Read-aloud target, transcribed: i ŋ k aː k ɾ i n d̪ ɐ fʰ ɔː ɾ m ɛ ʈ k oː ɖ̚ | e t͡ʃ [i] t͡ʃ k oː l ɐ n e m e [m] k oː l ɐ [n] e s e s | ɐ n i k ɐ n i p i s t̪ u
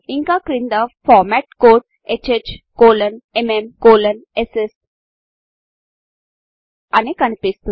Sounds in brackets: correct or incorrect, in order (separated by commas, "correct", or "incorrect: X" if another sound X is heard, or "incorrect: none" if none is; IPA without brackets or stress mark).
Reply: incorrect: e, correct, correct